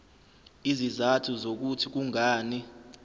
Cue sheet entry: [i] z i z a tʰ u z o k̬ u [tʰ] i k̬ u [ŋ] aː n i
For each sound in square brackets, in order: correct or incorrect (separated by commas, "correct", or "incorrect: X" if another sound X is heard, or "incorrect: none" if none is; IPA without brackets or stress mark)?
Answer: correct, correct, correct